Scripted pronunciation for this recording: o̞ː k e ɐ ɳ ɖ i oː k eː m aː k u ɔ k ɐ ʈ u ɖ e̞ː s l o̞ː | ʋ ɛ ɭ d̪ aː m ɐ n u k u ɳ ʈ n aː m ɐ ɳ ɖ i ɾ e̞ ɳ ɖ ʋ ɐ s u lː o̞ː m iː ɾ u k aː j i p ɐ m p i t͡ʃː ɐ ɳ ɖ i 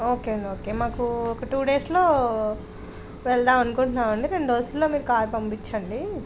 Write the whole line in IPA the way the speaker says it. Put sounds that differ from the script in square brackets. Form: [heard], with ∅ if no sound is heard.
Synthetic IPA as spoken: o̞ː k e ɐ ɳ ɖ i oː k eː m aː k u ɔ k ɐ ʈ [uː] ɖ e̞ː s l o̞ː | ʋ ɛ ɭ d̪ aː m ɐ n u k u ɳ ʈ n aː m ɐ ɳ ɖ i ɾ e̞ ɳ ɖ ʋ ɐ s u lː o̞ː m iː ɾ u k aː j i p ɐ m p i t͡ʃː ɐ ɳ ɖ i